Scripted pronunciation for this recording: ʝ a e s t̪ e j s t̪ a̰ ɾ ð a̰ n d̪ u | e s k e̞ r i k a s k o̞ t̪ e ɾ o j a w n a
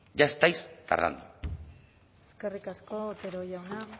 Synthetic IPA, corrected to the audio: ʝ a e s t̪ a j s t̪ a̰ ɾ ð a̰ n d̪ u | e s k e̞ r i k a s k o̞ t̪ e ɾ o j a w n a